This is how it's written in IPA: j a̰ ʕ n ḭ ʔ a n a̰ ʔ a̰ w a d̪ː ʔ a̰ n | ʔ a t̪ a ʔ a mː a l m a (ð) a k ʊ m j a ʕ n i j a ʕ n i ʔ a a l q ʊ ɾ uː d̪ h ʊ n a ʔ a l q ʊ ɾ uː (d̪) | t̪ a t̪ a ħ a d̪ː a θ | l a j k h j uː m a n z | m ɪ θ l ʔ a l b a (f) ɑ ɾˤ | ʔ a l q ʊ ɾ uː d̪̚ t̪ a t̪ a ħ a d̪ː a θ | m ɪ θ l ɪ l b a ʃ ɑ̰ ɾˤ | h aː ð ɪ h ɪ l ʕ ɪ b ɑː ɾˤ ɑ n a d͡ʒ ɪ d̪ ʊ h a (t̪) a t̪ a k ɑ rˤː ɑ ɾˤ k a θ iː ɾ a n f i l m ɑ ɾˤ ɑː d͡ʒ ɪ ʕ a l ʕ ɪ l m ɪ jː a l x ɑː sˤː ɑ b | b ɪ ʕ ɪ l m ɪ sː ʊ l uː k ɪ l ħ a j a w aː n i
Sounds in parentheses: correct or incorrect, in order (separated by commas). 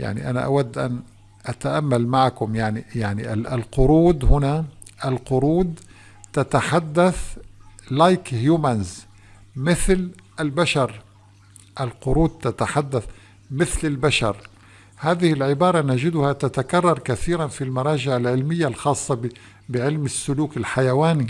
incorrect, correct, incorrect, correct